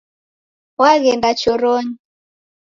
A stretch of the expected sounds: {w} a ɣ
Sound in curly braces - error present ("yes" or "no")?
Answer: no